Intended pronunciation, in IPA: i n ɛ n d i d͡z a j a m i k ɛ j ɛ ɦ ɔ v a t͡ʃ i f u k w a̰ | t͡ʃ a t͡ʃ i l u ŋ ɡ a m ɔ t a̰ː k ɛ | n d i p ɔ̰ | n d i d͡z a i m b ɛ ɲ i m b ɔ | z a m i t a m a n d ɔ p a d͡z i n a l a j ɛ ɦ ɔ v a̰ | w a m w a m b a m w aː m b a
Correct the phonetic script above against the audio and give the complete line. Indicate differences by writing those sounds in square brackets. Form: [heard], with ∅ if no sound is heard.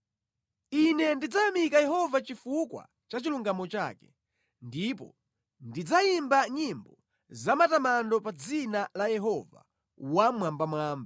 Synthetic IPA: i n ɛ n d i d͡z a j a m i k [a] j ɛ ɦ ɔ v a t͡ʃ i f u k w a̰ | t͡ʃ a t͡ʃ i l u ŋ ɡ a m ɔ [t͡ʃ] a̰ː k ɛ | n d i p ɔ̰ | n d i d͡z a i m b [a] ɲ i m b ɔ | z a m [a] t a m a n d ɔ p a d͡z i n a l a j ɛ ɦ ɔ v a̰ | w a m w a m b a m w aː m b a